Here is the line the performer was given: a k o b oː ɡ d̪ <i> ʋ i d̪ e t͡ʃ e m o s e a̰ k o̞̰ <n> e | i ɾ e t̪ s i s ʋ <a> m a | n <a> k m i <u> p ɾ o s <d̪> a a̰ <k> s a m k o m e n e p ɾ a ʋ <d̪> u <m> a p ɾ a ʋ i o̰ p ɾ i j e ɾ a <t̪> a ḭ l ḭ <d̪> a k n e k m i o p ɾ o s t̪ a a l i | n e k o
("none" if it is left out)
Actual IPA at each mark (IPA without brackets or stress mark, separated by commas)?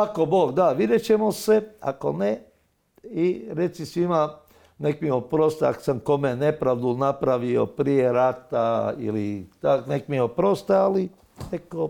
a, n, i, e, o, t̪, k, d̪, n, t̪, t̪